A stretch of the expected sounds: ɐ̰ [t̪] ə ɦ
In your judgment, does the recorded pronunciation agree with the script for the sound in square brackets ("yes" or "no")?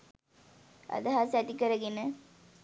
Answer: no